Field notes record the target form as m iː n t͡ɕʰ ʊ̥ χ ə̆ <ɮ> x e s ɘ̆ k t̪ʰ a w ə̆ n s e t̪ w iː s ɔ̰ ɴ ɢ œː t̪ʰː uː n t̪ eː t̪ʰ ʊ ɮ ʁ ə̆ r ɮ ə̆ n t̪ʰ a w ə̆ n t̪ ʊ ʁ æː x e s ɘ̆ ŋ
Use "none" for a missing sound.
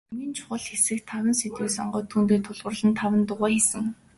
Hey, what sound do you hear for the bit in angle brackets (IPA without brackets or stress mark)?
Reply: ɮ